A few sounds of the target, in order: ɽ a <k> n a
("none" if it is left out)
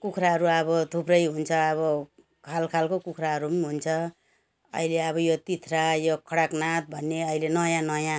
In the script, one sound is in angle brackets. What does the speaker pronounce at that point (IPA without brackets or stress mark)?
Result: k